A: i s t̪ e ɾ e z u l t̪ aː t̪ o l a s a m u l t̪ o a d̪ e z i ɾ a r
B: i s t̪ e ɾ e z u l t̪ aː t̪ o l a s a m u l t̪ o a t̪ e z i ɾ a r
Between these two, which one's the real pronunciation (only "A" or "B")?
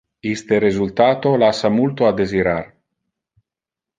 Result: A